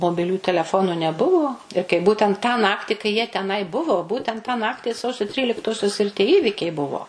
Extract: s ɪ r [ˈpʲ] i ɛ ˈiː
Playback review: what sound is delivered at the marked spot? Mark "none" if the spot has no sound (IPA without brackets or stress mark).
tʲ